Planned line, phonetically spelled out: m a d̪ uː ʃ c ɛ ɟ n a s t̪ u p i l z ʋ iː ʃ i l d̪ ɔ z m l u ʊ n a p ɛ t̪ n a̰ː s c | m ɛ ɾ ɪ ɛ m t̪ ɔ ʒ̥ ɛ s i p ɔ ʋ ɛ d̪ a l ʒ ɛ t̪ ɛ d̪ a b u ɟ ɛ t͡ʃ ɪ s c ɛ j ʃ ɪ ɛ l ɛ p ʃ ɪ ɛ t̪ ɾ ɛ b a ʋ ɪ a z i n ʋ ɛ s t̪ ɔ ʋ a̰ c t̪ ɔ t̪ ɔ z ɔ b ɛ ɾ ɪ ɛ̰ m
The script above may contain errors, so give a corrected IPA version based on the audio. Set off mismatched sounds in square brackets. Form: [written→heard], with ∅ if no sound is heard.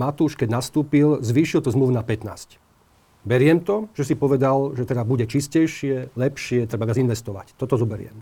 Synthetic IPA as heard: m a [d̪→t̪] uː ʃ [c→k] ɛ ɟ n a s t̪ [u→uː] p i l z ʋ iː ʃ i l [d̪→t̪] ɔ z m l u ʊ n a p ɛ t̪ n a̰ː s c | [m→b] ɛ ɾ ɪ ɛ m t̪ ɔ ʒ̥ ɛ s i p ɔ ʋ ɛ d̪ a l ʒ ɛ t̪ ɛ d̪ a b u ɟ ɛ t͡ʃ [ɪ→i] s c ɛ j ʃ ɪ ɛ l ɛ p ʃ ɪ ɛ t̪ ɾ ɛ b a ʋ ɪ a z i n ʋ ɛ s t̪ ɔ ʋ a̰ c t̪ ɔ t̪ ɔ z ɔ b ɛ ɾ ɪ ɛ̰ m